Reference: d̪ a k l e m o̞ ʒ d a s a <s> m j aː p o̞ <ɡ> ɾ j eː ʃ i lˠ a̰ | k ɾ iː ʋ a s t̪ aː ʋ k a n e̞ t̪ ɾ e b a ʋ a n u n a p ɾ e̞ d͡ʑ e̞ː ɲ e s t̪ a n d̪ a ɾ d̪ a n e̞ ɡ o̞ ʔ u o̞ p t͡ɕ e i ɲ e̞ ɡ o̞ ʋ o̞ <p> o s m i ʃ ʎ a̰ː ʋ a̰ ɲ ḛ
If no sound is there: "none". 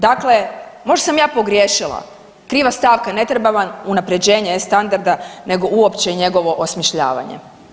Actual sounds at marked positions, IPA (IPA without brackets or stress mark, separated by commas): none, ɡ, ʔ